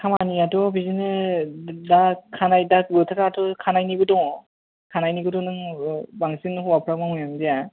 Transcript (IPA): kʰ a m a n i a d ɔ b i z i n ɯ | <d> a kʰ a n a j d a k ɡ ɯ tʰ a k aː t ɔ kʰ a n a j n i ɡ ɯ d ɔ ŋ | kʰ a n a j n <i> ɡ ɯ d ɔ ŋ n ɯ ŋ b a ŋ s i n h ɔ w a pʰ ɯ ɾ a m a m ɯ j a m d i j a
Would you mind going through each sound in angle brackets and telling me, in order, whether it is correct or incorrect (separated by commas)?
correct, correct